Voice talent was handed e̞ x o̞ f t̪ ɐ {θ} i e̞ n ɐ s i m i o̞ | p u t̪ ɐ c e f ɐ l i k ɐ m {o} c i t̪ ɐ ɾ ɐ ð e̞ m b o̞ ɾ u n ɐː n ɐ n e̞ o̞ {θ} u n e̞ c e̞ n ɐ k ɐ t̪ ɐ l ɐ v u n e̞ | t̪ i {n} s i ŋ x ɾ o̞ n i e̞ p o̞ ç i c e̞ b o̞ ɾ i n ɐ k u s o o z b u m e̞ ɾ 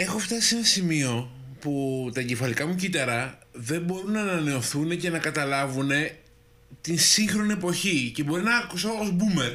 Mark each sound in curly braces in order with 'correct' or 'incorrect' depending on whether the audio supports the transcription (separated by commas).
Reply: incorrect, incorrect, correct, correct